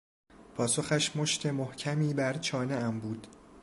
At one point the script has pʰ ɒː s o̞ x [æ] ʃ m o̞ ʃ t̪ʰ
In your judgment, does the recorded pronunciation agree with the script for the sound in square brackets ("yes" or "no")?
yes